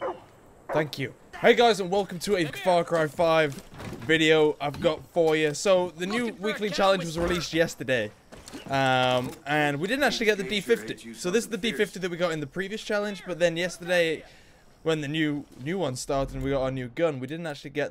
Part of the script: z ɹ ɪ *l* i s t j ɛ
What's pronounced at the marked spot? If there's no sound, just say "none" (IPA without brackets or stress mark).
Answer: l